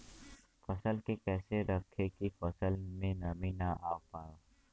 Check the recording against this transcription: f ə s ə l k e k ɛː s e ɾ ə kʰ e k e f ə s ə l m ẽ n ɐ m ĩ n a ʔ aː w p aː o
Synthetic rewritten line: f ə s ə l k e k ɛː s e ɾ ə kʰ e k i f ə s ə l m ẽ n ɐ m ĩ n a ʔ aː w p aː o

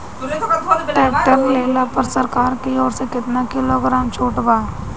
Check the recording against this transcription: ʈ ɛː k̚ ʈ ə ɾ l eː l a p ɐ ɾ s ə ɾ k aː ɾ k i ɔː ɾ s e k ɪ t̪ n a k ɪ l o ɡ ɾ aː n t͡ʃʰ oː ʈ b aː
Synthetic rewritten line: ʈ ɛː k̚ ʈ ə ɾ l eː l a p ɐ ɾ s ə ɾ k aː ɾ k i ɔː ɾ s e k ɪ t̪ n a k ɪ l o ɡ ɾ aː m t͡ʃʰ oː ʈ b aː

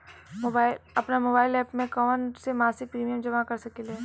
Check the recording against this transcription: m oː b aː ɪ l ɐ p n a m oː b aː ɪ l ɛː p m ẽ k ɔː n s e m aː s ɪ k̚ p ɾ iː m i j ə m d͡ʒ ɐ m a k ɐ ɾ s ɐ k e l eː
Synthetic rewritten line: m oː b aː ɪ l ɐ p n a m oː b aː ɪ l ɛː p m ẽ k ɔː n s e m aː s ɪ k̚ p ɾ iː m i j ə m d͡ʒ ɐ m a k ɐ ɾ s ɐ k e l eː

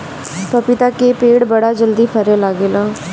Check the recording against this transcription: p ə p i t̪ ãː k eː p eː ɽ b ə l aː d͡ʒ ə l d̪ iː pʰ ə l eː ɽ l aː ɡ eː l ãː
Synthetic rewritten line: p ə p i t̪ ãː k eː p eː ɽ b ə ɽ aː d͡ʒ ə l d̪ iː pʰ ə ɾ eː l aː ɡ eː l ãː

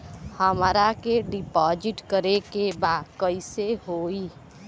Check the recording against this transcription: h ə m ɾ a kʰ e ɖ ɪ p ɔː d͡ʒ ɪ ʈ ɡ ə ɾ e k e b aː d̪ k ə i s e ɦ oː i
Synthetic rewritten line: h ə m ɾ a k e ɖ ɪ p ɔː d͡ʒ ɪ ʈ k ə ɾ e k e b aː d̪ k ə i s e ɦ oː i

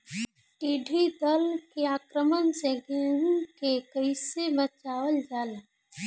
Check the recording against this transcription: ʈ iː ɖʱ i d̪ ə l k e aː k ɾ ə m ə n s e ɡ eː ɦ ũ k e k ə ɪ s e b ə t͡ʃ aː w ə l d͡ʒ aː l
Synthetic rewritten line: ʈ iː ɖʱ i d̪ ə l k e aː k ɾ ə m ə n s e ɡ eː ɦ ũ k e k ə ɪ s e b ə t͡ʃ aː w ə l d͡ʒ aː l

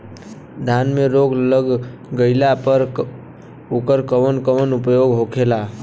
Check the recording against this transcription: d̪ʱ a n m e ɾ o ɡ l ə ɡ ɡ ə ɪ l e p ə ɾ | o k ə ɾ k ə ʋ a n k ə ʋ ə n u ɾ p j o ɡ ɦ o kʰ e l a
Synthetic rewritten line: d̪ʱ a n m e ɾ o ɡ l ə ɡ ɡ ə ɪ l a p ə ɾ | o k ə ɾ k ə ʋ ə n k ə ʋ ə n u p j o ɡ ɦ o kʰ e l a

